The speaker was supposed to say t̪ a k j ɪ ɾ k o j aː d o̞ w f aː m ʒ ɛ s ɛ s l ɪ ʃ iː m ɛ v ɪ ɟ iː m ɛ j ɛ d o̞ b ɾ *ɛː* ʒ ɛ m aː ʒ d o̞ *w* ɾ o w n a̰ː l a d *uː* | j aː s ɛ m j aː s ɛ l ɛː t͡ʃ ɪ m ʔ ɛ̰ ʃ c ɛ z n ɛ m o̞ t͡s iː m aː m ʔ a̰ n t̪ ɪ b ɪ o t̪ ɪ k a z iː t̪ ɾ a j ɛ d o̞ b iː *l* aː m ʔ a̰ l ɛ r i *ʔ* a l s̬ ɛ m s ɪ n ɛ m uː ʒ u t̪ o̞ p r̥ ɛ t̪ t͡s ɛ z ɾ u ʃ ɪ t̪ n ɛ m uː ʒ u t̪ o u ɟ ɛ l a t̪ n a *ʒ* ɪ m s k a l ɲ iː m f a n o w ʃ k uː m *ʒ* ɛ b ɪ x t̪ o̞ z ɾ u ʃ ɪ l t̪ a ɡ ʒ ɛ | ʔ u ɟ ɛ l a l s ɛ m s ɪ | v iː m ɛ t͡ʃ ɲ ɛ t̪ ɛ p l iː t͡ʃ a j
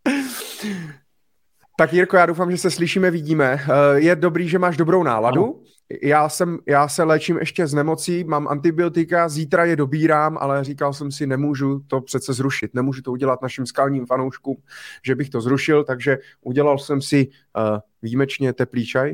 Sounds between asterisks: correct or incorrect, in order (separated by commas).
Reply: incorrect, incorrect, incorrect, incorrect, incorrect, incorrect, correct